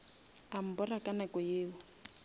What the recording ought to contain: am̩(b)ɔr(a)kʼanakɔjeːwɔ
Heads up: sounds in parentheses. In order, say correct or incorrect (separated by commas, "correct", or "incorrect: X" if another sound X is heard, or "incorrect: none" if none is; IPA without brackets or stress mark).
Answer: correct, correct